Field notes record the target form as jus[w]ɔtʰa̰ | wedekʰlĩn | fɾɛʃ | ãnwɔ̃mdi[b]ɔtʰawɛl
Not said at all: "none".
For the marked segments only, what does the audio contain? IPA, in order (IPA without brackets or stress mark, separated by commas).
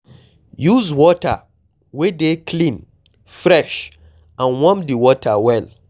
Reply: w, w